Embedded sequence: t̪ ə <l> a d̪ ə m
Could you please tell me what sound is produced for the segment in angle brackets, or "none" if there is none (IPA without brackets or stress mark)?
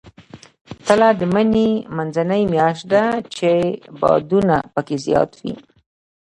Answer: l